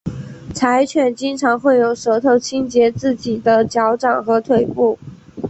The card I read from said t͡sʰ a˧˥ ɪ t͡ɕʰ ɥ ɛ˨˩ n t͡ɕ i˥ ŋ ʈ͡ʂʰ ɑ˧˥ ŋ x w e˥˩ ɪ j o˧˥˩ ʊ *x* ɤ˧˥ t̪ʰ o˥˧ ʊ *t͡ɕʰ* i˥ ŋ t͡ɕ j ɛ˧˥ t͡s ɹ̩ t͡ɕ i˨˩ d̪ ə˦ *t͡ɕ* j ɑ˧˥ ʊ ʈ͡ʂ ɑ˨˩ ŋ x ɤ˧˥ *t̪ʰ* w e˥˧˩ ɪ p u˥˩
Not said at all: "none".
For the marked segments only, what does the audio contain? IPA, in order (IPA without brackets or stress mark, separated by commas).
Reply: ʂ, t͡ɕʰ, t͡ɕ, t̪ʰ